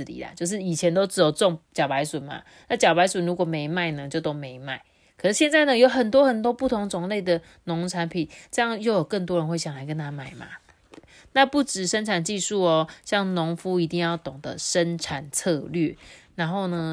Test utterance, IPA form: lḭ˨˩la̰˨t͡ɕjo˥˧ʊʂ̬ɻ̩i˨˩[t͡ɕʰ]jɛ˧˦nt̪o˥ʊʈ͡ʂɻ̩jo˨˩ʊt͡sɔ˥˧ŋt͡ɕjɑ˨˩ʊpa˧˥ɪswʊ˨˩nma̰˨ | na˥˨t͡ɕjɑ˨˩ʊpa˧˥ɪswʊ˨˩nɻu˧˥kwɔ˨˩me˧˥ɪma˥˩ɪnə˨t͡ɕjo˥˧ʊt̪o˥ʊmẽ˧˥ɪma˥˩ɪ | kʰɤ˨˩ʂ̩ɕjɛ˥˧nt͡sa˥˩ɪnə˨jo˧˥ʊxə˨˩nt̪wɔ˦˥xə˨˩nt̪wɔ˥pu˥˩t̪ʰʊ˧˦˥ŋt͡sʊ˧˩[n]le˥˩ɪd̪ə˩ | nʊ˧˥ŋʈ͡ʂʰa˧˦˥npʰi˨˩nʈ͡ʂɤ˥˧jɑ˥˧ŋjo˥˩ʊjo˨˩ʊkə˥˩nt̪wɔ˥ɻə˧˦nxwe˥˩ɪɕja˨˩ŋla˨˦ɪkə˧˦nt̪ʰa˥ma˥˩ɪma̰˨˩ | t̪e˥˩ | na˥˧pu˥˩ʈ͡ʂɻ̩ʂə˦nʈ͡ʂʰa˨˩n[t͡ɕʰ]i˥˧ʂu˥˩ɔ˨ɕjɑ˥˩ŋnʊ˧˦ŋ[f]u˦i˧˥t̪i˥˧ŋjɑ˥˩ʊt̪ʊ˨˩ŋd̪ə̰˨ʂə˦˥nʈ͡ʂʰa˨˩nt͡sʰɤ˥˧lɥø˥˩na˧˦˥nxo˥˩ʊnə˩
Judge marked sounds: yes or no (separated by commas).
yes, no, no, yes